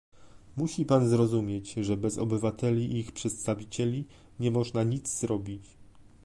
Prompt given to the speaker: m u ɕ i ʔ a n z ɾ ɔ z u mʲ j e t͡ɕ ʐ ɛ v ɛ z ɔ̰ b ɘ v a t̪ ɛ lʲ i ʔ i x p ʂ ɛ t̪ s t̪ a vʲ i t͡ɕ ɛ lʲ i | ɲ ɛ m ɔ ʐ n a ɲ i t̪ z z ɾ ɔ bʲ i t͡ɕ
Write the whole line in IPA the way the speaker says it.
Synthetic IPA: m u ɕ i p a n z ɾ ɔ z u mʲ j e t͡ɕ ʐ ɛ b ɛ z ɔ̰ b ɘ v a t̪ ɛ lʲ i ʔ i x p ʂ ɛ t̪ s t̪ a vʲ i t͡ɕ ɛ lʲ i | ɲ ɛ m ɔ ʐ n a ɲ i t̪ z z ɾ ɔ bʲ i t͡ɕ